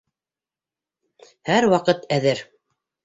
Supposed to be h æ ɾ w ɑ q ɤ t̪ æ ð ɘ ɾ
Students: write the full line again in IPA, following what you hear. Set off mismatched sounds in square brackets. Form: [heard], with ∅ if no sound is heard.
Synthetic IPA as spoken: h æ ɾ w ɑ q ɤ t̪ æ ð ɘ ɾ